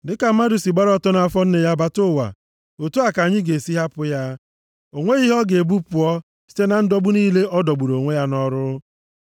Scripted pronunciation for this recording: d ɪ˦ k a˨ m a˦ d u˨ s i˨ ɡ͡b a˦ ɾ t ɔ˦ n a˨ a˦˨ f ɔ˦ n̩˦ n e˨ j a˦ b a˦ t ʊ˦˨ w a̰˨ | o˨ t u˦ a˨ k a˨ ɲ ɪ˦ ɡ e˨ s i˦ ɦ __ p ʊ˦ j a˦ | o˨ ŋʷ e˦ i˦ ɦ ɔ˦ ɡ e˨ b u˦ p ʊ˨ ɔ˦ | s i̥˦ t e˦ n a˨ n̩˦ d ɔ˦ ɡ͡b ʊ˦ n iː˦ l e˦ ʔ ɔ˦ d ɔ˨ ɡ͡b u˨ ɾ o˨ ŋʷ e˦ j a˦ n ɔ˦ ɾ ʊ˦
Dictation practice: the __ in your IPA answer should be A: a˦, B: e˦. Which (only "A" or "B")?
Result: A